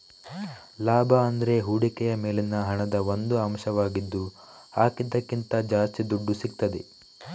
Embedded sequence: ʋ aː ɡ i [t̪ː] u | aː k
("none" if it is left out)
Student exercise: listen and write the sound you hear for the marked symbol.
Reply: d̪ː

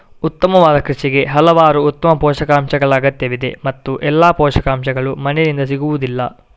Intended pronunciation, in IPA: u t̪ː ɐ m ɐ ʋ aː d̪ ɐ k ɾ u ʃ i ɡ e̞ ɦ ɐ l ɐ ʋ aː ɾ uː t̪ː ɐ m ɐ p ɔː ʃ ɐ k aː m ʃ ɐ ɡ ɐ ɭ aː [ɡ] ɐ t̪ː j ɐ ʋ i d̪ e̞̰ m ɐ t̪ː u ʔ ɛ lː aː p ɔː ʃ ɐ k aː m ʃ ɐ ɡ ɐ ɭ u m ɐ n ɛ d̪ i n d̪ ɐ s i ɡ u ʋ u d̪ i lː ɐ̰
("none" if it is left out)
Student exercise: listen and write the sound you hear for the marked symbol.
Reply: ɡ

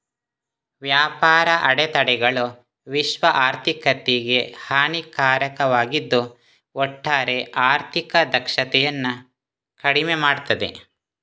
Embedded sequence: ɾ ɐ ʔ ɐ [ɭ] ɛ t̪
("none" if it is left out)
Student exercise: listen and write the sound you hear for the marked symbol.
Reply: ɽ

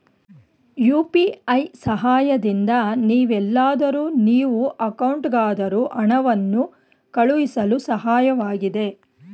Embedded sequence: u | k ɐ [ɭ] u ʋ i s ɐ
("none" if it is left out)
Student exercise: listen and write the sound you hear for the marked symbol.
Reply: ɭ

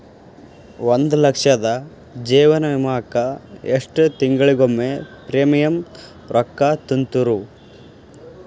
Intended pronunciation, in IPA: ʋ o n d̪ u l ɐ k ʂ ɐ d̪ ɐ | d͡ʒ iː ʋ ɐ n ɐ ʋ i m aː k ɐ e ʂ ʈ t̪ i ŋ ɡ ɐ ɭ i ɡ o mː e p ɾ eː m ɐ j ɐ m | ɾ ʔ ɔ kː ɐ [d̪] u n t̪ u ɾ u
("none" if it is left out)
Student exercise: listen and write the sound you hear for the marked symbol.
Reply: t̪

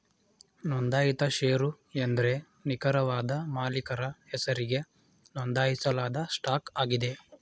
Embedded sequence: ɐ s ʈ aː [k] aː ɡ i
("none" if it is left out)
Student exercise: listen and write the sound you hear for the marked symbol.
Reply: k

